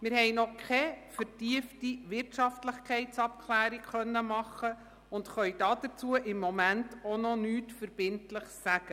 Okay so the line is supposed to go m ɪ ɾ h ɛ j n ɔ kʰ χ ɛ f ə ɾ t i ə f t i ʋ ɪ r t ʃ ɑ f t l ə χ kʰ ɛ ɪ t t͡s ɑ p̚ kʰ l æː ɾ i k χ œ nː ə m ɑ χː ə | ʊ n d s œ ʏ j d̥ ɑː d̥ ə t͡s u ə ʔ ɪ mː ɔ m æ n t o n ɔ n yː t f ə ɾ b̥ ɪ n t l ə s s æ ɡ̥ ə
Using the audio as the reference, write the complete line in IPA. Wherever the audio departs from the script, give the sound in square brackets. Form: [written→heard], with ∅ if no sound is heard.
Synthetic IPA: m ɪ ɾ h ɛ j n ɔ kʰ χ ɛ f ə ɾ t i ə f t i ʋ ɪ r t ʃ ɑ f t l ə χ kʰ ɛ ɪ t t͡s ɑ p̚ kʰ l æː ɾ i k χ œ nː ə m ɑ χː ə | ʊ n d [s→χ] œ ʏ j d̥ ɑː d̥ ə t͡s u ə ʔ ɪ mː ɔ m æ n t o n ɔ n yː t f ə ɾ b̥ ɪ n t l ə [s→χ] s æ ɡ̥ ə